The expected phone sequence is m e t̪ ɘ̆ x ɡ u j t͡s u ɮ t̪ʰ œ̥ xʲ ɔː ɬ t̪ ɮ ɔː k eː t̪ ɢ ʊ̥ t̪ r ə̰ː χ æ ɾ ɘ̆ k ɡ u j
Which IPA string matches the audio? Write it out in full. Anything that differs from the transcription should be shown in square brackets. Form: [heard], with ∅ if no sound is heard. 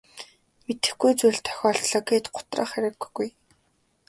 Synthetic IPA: m e t̪ ɘ̆ x ɡ u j t͡s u ɮ t̪ʰ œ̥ xʲ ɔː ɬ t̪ ɮ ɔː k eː t̪ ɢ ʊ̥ t̪ r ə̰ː χ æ ɾ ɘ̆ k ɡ u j